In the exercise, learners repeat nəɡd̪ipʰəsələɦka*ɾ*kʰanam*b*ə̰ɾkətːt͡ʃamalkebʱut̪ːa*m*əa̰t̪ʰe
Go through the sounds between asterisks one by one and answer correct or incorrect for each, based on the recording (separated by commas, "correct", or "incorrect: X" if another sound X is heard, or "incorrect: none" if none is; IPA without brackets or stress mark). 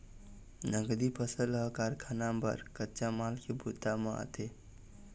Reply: correct, correct, correct